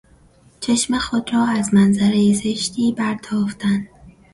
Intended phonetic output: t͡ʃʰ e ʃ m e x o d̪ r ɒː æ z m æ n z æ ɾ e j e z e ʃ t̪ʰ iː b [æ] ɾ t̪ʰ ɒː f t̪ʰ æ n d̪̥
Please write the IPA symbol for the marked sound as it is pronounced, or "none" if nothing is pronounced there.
æ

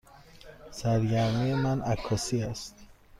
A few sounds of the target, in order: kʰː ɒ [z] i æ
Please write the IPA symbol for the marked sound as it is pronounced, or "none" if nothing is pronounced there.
s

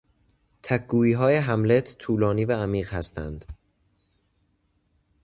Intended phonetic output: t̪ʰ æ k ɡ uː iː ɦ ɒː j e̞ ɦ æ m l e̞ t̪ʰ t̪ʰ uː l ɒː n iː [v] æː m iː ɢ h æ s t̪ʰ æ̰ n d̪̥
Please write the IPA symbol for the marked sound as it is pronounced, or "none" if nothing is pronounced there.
v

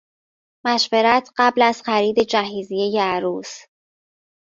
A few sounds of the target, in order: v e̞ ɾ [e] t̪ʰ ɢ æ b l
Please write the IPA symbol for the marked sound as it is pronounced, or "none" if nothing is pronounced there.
æ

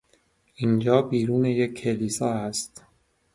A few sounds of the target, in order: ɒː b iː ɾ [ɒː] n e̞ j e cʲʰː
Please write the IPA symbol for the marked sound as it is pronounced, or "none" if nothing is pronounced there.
uː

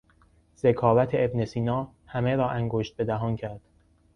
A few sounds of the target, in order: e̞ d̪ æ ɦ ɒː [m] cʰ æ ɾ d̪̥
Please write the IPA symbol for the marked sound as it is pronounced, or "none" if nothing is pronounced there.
n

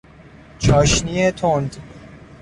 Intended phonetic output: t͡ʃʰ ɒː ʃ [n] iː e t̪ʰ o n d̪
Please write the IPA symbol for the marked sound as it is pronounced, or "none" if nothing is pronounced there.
n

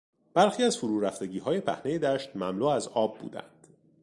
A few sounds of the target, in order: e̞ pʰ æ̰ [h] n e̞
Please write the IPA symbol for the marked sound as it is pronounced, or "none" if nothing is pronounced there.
h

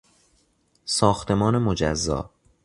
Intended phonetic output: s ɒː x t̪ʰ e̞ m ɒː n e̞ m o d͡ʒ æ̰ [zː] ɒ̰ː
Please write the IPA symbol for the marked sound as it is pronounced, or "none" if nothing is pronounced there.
zː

